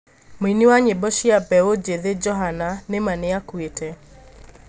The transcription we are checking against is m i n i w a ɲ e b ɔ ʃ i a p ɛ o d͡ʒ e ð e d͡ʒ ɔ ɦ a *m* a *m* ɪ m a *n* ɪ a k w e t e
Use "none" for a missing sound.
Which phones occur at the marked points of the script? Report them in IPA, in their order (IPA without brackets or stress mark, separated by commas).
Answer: n, n, n